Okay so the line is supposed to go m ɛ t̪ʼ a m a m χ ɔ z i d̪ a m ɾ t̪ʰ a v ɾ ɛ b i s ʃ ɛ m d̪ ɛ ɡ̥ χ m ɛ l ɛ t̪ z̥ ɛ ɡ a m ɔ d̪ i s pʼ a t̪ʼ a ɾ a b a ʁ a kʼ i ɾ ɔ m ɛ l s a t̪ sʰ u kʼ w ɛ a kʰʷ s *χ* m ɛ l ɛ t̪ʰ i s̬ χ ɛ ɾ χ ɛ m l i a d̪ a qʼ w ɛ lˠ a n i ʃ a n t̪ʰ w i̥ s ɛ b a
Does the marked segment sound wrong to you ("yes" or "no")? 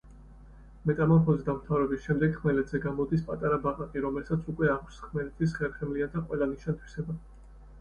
no